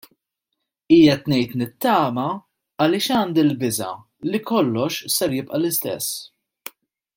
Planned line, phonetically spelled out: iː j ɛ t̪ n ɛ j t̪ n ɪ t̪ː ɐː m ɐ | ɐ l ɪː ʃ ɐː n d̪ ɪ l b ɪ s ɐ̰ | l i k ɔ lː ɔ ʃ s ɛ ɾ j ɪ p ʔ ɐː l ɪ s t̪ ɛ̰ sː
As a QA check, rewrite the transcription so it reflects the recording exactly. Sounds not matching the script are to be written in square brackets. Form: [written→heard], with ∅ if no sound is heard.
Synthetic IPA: iː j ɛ t̪ n ɛ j t̪ n ɪ t̪ː ɐː m ɐ | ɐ l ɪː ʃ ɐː n d̪ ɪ l b ɪ [s→z] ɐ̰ | l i k ɔ lː ɔ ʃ s ɛ ɾ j ɪ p ʔ [ɐː→ɐ] l ɪ s t̪ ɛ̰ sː